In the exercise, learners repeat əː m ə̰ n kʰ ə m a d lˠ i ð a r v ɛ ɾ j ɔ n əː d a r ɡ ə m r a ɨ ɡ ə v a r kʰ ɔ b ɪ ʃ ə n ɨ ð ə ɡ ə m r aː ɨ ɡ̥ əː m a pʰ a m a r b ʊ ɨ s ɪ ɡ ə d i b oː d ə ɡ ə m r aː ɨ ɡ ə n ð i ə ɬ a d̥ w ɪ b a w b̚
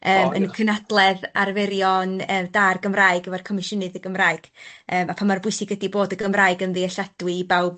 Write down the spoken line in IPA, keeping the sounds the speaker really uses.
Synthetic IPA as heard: əː m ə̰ n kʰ ə n a d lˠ ɛ ð a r v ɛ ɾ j ɔ n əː d a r ɡ ə m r a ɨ ɡ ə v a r kʰ ɔ m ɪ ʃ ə n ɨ ð ə ɡ ə m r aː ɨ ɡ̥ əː m a pʰ a m a r b ʊ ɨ s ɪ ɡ ə d i b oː d ə ɡ ə m r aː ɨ ɡ ə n ð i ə ɬ a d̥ w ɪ b a w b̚